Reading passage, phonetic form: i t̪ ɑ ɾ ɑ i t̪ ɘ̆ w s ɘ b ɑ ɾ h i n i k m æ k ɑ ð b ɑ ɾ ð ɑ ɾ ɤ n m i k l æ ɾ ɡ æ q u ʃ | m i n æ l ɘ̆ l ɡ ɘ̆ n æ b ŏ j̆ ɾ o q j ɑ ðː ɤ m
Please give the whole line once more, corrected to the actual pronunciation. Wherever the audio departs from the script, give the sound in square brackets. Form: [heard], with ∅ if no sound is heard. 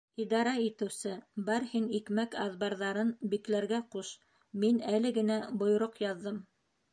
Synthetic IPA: i [d̪] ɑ ɾ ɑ i t̪ ɘ̆ w s ɘ b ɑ ɾ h i n i k m æ k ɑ ð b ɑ ɾ ð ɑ ɾ ɤ n [b] i k l æ ɾ ɡ æ q u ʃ | m i n æ l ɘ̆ [∅] ɡ ɘ̆ n æ b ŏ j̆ ɾ o q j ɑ ðː ɤ m